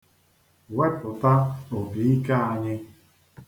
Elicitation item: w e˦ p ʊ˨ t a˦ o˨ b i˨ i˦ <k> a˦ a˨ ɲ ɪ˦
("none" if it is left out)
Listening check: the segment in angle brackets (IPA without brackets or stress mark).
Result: k